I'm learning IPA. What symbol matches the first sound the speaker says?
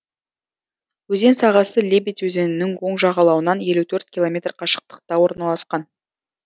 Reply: w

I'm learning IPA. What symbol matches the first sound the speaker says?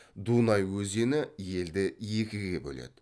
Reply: d̪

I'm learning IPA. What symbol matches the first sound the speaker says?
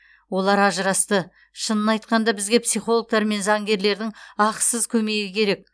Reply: w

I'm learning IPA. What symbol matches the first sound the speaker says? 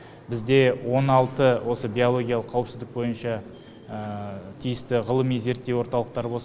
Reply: b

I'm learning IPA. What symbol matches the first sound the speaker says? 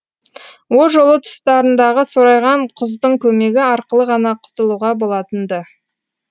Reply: w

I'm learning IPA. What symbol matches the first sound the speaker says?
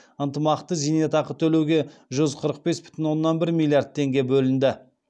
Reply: ə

